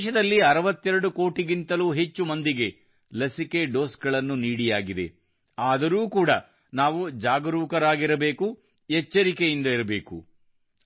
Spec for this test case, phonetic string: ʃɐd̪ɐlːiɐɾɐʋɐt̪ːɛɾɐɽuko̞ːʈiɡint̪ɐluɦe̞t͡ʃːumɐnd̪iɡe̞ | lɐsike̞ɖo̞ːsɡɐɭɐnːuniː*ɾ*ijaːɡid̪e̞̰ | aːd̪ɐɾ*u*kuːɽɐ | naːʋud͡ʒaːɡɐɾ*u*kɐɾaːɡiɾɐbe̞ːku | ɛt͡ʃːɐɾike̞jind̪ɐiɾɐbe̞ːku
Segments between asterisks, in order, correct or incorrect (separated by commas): incorrect, incorrect, incorrect